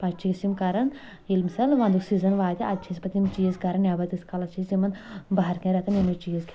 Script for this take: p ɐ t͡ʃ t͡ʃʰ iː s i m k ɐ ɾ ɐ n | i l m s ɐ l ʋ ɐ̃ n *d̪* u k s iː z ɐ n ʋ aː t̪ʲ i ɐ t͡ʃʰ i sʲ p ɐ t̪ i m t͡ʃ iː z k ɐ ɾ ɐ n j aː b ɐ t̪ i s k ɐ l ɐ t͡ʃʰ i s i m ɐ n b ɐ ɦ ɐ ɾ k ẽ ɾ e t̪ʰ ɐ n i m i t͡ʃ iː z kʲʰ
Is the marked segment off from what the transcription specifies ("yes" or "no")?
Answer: no